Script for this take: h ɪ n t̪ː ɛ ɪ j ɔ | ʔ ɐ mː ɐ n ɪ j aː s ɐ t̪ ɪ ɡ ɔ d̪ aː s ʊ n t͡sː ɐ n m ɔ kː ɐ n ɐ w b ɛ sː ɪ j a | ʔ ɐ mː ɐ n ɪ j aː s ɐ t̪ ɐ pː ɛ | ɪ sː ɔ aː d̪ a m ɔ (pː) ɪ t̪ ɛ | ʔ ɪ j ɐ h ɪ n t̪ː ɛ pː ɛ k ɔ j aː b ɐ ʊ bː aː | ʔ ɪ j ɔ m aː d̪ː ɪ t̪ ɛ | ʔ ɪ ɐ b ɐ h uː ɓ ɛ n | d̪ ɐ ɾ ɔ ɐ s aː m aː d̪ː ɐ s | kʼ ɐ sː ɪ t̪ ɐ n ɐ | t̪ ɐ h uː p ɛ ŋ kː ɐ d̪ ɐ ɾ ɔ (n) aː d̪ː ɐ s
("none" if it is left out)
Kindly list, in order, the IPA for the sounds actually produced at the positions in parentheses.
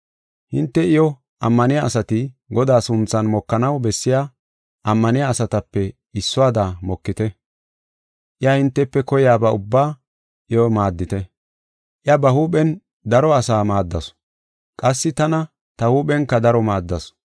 kː, m

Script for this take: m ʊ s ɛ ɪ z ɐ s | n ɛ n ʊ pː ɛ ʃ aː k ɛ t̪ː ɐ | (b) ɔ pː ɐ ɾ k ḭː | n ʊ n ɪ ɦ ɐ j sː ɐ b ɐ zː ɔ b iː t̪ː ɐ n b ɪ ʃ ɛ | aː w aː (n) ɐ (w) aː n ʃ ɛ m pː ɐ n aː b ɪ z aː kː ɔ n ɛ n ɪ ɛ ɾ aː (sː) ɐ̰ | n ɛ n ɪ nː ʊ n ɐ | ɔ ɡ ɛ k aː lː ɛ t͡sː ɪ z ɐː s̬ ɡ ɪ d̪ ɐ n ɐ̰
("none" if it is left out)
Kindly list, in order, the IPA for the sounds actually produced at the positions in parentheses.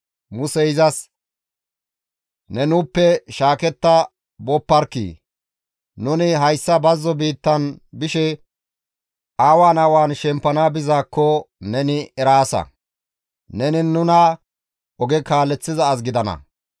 b, n, w, s

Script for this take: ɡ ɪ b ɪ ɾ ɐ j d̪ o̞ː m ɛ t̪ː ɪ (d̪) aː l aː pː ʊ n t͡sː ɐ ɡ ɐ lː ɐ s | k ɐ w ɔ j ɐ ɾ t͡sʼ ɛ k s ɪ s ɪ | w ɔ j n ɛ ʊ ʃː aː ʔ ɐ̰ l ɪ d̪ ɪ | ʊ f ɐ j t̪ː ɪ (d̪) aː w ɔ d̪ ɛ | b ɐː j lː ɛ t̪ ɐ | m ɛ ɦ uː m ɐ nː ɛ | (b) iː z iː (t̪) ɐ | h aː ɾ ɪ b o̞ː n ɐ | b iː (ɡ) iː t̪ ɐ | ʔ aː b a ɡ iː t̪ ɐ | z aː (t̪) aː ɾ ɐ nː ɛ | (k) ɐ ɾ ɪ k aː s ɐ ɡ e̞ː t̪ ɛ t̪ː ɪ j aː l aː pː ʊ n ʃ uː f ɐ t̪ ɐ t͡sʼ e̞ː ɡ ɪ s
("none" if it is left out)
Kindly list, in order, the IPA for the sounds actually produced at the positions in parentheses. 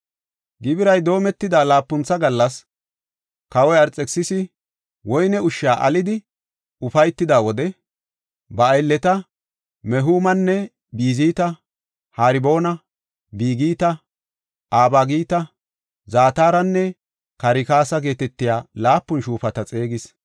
d̪, d̪, b, t̪, ɡ, t̪, k

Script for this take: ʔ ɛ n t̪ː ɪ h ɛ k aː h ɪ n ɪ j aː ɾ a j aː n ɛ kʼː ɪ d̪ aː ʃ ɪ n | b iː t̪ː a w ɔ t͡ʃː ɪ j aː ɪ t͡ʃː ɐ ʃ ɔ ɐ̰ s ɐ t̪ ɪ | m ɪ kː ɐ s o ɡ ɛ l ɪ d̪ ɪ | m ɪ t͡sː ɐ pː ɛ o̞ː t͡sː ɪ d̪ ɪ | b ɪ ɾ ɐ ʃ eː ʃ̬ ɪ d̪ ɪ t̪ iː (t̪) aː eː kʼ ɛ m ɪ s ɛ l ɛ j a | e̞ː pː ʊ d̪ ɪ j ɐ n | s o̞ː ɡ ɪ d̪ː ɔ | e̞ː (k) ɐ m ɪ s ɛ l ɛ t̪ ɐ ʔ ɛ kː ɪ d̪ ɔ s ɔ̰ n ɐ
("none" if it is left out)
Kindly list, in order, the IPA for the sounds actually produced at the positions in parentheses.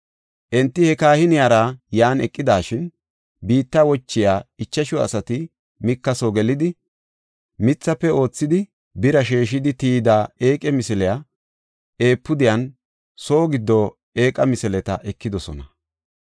d̪, kʼ

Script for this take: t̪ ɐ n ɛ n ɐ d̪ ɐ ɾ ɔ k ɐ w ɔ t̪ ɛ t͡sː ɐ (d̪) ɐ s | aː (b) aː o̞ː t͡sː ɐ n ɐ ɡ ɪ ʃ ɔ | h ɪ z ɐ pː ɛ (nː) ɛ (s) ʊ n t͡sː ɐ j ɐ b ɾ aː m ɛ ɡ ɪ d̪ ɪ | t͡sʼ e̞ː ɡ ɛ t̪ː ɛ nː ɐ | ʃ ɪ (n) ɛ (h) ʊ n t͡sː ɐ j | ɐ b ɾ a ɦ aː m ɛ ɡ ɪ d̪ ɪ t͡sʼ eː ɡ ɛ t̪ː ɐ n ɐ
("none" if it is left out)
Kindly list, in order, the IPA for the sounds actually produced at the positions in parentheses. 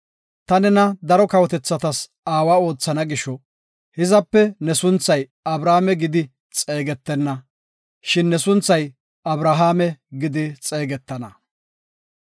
t̪, w, n, s, nː, s

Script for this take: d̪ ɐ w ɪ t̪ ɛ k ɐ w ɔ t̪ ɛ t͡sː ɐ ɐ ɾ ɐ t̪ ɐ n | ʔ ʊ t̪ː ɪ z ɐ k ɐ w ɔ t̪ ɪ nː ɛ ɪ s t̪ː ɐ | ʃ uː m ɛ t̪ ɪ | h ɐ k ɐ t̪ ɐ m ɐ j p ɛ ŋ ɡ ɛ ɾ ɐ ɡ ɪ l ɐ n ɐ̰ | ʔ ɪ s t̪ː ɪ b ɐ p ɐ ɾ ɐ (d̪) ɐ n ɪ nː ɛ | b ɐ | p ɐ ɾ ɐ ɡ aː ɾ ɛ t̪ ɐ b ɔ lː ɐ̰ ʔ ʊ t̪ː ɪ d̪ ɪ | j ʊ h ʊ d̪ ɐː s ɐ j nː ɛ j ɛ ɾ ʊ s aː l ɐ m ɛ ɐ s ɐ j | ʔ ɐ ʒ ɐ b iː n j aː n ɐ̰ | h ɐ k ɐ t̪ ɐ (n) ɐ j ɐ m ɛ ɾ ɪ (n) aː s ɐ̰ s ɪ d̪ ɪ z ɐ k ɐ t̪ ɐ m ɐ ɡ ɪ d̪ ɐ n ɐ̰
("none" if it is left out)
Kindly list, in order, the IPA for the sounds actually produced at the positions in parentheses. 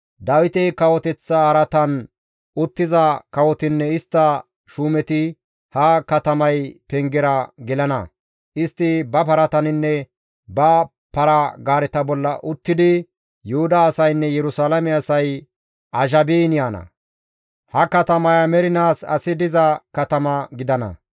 t̪, m, n

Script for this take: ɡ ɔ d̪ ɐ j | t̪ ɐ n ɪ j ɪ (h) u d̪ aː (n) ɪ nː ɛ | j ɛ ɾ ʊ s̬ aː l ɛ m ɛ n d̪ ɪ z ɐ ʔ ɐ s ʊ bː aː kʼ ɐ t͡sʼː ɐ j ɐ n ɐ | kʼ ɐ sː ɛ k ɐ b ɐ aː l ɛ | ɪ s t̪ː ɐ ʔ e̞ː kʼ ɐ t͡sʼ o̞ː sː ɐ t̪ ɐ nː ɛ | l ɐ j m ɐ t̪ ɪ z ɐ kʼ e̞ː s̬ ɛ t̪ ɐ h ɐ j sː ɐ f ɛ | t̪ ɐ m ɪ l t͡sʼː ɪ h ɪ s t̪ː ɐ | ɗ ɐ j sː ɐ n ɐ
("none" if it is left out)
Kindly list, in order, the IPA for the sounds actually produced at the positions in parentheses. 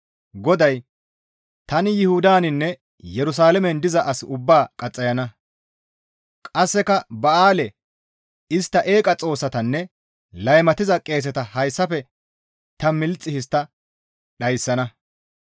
h, n

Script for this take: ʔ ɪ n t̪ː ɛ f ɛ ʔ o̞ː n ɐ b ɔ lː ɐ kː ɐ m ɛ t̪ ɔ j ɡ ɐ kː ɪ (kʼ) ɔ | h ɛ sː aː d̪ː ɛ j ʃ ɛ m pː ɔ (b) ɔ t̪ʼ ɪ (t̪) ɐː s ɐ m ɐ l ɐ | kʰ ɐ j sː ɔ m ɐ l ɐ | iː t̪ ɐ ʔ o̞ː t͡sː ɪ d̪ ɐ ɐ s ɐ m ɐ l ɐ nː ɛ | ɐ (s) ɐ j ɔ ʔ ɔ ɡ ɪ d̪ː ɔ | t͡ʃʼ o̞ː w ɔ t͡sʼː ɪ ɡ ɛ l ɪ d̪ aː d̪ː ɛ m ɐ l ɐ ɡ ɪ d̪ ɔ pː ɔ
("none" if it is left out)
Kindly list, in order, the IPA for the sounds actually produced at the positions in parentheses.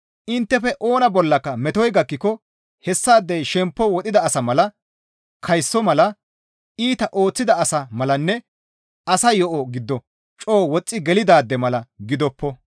k, w, d̪, s

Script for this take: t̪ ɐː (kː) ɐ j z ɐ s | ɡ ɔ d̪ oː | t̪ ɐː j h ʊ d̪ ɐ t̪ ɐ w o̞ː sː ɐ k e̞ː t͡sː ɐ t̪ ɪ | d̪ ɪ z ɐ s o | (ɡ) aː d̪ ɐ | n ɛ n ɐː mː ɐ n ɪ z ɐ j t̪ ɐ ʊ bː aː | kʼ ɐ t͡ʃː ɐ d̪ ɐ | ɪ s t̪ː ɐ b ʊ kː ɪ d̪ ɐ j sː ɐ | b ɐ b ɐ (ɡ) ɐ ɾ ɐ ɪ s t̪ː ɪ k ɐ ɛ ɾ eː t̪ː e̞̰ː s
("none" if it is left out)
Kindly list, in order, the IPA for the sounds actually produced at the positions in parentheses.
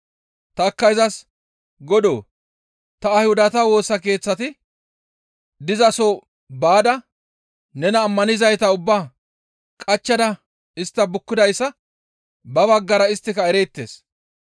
kː, b, ɡː

